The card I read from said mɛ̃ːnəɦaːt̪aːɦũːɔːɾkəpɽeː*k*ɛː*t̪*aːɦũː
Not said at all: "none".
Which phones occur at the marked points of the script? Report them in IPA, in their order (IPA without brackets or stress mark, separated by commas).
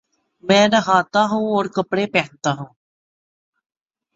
p, t̪